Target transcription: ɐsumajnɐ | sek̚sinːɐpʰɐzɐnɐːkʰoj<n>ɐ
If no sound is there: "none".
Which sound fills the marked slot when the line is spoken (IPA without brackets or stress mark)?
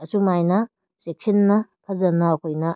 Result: n